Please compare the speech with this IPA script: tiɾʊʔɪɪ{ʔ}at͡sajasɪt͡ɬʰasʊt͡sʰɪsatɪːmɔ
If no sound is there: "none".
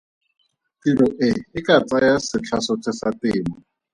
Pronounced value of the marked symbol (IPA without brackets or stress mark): k